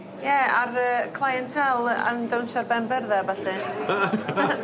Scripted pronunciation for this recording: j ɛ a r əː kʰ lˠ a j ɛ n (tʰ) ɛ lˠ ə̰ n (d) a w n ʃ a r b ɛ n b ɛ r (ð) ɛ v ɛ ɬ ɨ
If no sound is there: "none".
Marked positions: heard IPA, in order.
tʰ, d, ð

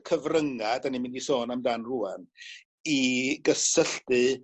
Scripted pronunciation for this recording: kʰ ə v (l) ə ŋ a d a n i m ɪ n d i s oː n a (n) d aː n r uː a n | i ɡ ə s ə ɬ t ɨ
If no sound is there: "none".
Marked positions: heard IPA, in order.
r, m

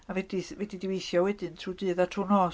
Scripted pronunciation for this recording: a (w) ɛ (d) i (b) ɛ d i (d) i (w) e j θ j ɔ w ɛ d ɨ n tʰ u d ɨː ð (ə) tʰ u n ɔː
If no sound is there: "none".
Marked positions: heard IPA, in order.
v, d, v, d, w, a

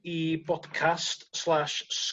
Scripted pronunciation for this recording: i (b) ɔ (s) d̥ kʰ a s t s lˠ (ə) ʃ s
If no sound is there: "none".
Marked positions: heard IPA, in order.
b, none, a

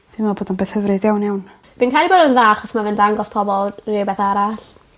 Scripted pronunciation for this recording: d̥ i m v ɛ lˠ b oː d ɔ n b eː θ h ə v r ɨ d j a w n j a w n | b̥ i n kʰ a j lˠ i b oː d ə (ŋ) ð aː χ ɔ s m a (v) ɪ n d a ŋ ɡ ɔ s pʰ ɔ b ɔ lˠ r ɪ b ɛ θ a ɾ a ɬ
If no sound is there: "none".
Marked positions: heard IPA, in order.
n, v

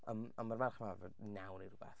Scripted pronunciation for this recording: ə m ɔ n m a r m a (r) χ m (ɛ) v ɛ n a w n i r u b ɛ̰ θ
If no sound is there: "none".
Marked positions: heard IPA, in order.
r, a

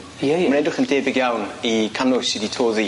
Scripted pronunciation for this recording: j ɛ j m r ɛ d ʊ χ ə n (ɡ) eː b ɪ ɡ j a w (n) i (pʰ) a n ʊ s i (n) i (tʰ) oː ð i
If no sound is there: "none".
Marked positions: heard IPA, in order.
d, n, kʰ, d, tʰ

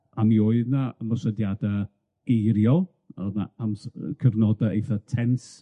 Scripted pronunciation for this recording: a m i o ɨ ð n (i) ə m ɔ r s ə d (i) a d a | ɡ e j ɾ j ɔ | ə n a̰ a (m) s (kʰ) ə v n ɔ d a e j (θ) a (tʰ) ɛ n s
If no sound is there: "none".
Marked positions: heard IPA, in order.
a, j, m, kʰ, θ, tʰ

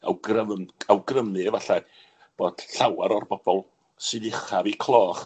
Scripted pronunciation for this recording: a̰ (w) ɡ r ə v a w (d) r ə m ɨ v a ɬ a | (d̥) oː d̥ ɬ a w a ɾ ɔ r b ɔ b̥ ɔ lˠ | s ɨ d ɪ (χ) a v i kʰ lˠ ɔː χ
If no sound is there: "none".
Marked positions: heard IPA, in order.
w, ɡ, b̥, χ

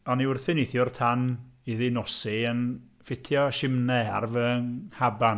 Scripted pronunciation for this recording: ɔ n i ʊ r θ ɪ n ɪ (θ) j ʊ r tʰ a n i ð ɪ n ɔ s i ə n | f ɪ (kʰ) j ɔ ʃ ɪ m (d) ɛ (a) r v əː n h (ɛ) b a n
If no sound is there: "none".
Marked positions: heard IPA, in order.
θ, tʰ, n, a, a

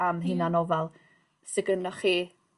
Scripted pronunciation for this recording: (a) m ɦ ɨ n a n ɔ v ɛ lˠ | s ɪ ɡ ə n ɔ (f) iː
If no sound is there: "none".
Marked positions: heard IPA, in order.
a, χ

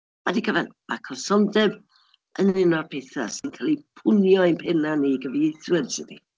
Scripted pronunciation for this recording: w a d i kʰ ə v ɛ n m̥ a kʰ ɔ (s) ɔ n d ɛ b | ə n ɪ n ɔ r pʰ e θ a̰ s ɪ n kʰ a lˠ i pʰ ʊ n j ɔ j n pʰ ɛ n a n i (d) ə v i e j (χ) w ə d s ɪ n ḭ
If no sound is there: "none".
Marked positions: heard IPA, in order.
s, ɡ, θ

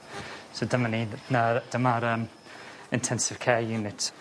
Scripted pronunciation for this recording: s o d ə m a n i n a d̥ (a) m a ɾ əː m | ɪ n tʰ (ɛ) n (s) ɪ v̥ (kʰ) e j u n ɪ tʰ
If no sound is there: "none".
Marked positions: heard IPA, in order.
ə, ɛ, s, kʰ

